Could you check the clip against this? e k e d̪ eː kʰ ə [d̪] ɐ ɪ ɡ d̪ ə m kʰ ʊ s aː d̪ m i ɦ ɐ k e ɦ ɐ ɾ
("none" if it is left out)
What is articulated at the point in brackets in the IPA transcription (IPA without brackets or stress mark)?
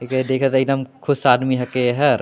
t̪